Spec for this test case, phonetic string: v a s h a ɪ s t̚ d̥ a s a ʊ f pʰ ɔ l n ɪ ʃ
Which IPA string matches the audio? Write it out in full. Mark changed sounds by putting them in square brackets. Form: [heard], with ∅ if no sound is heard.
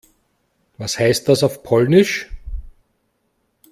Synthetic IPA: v a s h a ɪ s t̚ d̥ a s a ʊ f pʰ ɔ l n ɪ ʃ